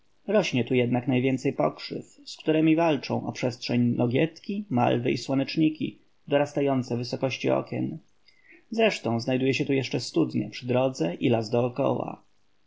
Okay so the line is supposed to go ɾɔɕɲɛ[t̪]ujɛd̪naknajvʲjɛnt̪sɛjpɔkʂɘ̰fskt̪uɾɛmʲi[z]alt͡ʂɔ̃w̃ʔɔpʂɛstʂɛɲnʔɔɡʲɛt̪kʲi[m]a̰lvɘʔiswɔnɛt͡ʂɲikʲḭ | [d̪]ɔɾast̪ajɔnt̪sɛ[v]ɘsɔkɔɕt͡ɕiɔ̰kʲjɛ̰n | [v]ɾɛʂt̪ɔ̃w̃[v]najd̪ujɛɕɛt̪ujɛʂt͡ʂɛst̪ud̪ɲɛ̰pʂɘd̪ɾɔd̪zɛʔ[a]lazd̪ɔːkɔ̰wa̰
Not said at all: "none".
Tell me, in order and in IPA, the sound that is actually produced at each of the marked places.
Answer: t̪, v, m, d̪, v, z, z, i

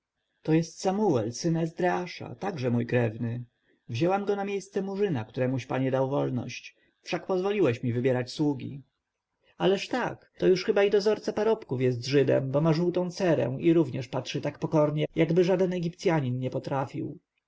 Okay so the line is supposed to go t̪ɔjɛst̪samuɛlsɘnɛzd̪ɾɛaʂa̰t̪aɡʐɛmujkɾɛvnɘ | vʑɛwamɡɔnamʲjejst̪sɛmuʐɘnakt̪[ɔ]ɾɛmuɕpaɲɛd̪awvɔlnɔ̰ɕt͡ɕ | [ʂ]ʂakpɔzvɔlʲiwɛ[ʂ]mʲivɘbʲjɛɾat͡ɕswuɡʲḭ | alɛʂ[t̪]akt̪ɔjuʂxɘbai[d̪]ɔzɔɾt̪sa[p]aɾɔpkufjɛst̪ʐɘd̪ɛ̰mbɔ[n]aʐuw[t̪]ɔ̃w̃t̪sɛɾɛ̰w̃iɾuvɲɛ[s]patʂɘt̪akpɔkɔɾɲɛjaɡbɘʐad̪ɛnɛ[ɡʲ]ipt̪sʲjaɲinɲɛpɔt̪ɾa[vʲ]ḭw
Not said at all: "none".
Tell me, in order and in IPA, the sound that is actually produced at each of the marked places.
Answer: u, f, ɕ, t̪, d̪, p, m, t̪, ʂ, ɡʲ, fʲ

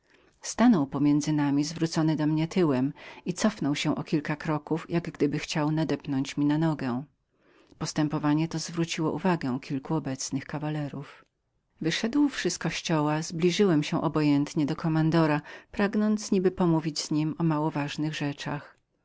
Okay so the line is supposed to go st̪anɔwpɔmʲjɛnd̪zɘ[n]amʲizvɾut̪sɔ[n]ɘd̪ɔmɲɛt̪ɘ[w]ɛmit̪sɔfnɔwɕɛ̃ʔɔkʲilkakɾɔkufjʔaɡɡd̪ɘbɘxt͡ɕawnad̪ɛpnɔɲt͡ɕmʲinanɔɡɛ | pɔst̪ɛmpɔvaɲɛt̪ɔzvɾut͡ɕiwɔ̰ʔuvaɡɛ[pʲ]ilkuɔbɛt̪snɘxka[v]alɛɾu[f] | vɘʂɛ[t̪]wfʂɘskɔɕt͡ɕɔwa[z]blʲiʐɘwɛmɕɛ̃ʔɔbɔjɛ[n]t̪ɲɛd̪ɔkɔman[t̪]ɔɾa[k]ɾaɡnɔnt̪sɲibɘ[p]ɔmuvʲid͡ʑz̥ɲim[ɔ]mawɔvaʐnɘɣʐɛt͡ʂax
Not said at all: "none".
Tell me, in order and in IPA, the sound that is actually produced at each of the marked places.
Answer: n, n, w, kʲ, v, f, d̪, z, n, d̪, p, p, ɔ

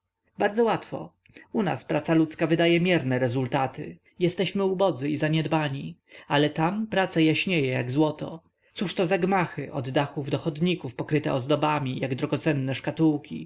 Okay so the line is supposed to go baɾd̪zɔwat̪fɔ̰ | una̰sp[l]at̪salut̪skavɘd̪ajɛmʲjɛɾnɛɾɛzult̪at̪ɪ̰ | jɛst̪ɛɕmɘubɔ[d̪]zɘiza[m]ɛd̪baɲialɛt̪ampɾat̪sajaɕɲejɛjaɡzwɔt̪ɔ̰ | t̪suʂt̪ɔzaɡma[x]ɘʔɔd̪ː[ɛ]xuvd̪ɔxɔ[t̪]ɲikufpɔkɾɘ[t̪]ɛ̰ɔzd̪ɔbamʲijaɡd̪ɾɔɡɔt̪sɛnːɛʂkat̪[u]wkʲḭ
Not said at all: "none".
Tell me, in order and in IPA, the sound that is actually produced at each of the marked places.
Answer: ɾ, d̪, ɲ, x, a, d̪, t̪, u

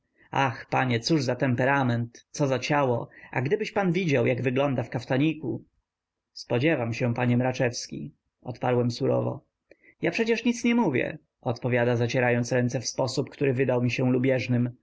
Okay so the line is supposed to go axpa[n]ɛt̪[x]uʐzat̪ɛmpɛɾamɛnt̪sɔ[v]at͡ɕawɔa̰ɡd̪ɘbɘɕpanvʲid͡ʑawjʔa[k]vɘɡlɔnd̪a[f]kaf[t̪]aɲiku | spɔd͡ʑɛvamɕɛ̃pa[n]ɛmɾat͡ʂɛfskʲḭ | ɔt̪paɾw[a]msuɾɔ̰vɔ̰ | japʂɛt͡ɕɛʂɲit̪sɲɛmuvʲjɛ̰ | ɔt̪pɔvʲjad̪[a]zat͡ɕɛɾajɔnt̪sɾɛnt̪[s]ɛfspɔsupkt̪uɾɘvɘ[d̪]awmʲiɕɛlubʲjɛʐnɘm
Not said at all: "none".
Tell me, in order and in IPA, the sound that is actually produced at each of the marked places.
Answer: ɲ, s, z, ɡ, f, t̪, ɲ, ɛ, a, s, d̪

